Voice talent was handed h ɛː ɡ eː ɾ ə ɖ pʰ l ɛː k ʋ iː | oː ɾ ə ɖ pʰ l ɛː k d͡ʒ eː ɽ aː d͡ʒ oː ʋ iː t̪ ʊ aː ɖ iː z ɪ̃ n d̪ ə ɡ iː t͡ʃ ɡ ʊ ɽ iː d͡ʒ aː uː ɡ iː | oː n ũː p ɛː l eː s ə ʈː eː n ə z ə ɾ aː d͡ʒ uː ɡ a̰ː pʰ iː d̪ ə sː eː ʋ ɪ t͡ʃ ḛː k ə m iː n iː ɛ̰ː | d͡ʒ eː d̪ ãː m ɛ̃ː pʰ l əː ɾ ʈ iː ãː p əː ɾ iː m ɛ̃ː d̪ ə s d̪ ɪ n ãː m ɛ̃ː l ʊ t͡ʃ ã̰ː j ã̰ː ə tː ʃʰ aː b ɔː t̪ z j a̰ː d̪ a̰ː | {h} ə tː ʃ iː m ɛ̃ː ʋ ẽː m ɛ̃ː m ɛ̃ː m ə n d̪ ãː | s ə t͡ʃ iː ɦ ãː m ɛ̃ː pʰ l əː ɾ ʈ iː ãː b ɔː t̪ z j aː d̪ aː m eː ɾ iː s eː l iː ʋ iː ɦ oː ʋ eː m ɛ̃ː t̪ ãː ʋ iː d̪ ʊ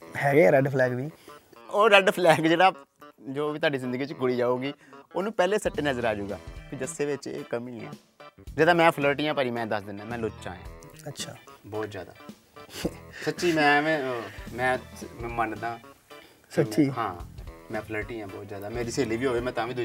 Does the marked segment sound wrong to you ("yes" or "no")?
yes